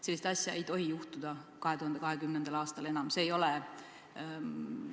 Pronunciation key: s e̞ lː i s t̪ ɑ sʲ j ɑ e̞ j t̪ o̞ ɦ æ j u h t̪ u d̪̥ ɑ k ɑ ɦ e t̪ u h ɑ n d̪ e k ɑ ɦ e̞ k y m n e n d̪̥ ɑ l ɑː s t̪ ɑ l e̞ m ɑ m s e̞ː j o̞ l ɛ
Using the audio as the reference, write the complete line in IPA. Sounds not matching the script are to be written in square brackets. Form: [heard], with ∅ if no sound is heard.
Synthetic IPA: s e̞ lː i s t̪ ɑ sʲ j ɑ e̞ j t̪ o̞ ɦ [i] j u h t̪ u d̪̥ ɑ k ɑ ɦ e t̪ u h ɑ n d̪ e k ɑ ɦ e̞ k y m n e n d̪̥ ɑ l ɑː s t̪ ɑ l e̞ [n] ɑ m s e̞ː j o̞ l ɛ